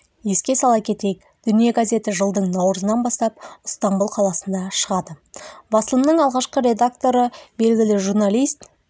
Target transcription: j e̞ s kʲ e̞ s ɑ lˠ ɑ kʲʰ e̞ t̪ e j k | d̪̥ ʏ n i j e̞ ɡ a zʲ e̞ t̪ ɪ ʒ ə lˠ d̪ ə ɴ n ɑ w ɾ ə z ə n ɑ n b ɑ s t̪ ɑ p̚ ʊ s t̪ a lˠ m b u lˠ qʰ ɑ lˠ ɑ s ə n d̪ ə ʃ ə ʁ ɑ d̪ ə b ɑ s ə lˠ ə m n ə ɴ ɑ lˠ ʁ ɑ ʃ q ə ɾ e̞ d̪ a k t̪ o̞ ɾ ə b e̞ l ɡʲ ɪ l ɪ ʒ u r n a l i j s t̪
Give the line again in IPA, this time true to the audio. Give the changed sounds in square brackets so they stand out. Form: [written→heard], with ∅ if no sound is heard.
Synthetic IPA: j e̞ s kʲ e̞ s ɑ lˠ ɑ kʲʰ e̞ t̪ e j k | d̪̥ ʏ n i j e̞ ɡ a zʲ e̞ t̪ ɪ ʒ ə lˠ d̪ ə ɴ n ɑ w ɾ ə z ə n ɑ n b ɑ s t̪ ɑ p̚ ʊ s t̪ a [lˠ→∅] m b u lˠ qʰ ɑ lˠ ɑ s ə n d̪ [ə→ɑ] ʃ ə ʁ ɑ d̪ ə b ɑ s ə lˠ ə m n ə ɴ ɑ lˠ ʁ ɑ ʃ q ə ɾ e̞ d̪ a k t̪ o̞ ɾ ə b e̞ l ɡʲ ɪ l ɪ ʒ u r n a l i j s t̪